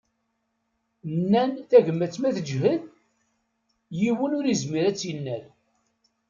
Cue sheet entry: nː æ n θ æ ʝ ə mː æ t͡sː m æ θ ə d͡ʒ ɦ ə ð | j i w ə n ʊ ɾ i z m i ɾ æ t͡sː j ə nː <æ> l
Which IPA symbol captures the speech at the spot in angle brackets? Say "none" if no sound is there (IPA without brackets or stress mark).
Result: æ